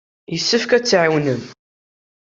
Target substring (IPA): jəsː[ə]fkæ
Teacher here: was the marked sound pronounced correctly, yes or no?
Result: yes